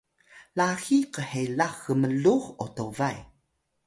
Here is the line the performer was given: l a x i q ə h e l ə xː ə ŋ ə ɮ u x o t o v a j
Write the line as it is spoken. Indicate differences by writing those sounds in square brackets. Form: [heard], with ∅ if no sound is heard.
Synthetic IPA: l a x i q ə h e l [a] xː ə [m] ə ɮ u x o t o v a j